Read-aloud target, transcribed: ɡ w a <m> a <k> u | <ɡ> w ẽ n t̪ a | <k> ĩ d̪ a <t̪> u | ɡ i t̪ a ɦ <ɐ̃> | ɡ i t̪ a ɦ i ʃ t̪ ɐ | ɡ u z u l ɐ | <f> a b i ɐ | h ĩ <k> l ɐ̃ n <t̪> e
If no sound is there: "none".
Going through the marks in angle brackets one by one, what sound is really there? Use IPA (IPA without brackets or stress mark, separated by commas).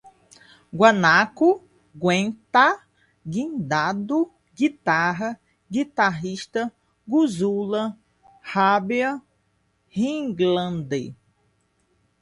n, k, ɡ, ɡ, d̪, ɐ, h, ɡ, d̪